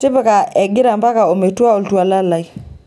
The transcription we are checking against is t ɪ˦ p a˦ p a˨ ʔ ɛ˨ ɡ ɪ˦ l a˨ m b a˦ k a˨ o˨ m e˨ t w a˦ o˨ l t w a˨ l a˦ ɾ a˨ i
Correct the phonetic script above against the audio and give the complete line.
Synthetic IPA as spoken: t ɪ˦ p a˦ k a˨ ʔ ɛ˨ ɡ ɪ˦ ɾ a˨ m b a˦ k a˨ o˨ m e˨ t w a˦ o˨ l t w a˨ l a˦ l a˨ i